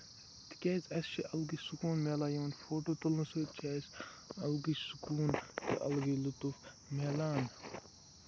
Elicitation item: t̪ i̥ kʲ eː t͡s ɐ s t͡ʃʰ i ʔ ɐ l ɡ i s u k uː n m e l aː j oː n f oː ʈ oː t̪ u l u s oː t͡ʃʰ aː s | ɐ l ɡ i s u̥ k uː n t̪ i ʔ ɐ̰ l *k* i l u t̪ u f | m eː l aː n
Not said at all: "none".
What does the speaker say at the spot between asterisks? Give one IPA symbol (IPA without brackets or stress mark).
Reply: ɡ